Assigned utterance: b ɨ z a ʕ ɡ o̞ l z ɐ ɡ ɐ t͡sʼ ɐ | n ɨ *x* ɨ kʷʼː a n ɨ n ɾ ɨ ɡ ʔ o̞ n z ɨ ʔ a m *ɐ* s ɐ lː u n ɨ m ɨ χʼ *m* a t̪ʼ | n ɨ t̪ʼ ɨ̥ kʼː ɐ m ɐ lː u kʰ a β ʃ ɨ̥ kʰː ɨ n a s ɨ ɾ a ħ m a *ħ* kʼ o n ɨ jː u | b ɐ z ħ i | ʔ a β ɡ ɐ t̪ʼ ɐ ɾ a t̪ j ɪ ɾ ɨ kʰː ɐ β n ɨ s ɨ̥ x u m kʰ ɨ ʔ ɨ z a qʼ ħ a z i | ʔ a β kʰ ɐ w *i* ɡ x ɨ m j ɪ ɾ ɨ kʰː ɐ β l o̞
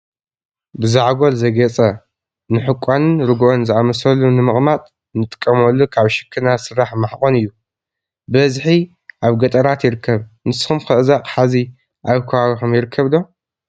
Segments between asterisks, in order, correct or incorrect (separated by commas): incorrect, correct, correct, correct, incorrect